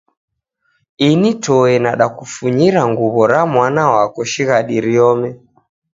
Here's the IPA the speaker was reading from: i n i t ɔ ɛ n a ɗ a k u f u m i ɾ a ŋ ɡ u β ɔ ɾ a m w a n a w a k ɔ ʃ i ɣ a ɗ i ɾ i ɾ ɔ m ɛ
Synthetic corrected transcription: i n i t ɔ ɛ n a ɗ a k u f u ɲ i ɾ a ŋ ɡ u β ɔ ɾ a m w a n a w a k ɔ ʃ i ɣ a ɗ i ɾ i ɔ m ɛ

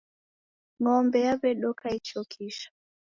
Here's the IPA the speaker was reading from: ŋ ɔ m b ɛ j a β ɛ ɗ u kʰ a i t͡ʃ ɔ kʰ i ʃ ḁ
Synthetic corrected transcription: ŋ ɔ m b ɛ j a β ɛ ɗ ɔ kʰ a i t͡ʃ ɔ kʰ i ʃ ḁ

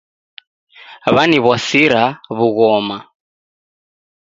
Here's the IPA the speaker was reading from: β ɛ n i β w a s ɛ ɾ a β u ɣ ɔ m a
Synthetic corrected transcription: β a n i β w a s i ɾ a β u ɣ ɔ m a

